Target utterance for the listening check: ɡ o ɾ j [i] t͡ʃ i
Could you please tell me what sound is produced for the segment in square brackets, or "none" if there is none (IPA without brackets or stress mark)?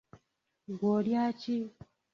a